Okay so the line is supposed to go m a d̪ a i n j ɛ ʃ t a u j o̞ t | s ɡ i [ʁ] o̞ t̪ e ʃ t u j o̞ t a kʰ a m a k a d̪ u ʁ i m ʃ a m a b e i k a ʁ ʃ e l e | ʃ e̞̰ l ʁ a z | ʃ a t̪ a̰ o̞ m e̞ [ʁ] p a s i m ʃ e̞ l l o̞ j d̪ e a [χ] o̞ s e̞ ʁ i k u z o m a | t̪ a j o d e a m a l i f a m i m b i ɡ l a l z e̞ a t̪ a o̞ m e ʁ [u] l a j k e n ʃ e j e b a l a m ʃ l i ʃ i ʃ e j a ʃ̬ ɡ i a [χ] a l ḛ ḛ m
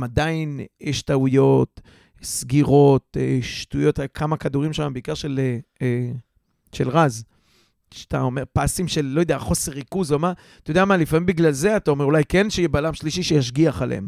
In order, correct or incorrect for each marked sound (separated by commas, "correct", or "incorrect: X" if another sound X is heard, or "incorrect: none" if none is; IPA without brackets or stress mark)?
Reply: correct, correct, correct, correct, correct